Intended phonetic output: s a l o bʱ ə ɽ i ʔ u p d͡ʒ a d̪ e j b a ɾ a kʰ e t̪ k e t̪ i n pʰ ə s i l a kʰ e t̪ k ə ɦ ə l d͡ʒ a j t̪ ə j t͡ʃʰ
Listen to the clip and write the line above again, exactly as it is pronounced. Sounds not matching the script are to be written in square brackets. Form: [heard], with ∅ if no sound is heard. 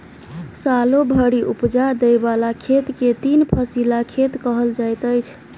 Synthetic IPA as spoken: s a l o bʱ ə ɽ i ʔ u p d͡ʒ a d̪ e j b a [l] a kʰ e t̪ k e t̪ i n pʰ ə s i l a kʰ e t̪ k ə ɦ ə l d͡ʒ a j t̪ ə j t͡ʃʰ